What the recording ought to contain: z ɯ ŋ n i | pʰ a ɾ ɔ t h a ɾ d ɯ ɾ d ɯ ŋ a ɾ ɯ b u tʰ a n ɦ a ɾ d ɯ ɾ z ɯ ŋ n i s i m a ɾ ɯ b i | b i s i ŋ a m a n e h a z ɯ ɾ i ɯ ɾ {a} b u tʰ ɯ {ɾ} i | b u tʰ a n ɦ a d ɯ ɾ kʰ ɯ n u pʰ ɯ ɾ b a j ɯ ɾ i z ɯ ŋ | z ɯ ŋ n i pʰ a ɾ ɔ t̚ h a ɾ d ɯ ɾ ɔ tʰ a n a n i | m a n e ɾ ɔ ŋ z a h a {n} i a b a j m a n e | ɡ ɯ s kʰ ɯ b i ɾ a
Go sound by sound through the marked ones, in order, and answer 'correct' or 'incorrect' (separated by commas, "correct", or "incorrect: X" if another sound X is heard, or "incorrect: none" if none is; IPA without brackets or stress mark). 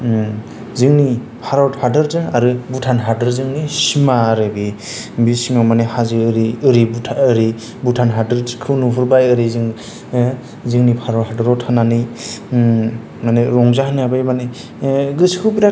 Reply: incorrect: i, correct, correct